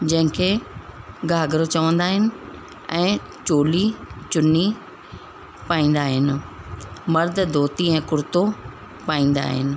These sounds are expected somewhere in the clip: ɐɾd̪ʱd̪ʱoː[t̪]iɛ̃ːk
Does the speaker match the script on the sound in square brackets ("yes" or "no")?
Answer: yes